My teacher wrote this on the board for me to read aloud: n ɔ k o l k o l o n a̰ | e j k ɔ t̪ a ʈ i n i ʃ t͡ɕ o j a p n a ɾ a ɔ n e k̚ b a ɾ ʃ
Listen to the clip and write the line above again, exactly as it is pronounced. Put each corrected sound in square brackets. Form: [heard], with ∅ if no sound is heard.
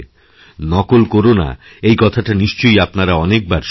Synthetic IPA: n ɔ k o l k o [ɾ] o n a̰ | e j k ɔ [t̪ʰ] a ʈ [a] n i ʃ t͡ɕ o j a p n a ɾ a ɔ n e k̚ b a ɾ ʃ